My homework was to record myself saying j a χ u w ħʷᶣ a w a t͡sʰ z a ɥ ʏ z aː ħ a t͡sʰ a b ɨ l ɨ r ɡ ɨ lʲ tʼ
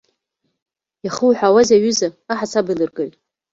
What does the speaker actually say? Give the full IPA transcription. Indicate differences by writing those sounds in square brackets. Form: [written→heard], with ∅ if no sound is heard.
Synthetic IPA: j a χ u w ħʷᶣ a w a [t͡sʰ→∅] z a ɥ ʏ z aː ħ a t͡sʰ a b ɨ l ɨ r ɡ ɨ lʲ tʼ